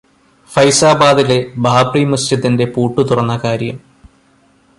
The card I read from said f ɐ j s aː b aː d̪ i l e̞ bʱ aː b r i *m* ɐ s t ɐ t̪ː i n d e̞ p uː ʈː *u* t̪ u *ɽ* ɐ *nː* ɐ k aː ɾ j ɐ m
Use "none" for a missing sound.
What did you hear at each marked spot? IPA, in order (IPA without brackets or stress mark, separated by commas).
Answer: m, u, r, nː